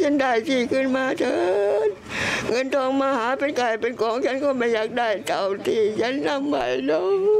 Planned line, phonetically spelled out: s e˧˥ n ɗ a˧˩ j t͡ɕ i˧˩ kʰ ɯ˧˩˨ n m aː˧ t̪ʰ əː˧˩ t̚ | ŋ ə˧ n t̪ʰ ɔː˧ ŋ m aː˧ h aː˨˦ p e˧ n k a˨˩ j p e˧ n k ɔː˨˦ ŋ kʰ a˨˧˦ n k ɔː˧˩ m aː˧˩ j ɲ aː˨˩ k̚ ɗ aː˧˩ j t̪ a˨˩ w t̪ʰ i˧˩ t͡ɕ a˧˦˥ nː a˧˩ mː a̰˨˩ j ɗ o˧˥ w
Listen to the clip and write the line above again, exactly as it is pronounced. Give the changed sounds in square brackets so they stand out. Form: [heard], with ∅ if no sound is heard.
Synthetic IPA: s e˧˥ n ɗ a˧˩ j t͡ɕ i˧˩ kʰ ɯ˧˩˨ n m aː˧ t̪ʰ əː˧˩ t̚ | ŋ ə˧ n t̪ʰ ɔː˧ ŋ m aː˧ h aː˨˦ p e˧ n k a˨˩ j p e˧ n k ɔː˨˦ ŋ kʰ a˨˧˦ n k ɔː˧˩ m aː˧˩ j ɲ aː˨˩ k̚ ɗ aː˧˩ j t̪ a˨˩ w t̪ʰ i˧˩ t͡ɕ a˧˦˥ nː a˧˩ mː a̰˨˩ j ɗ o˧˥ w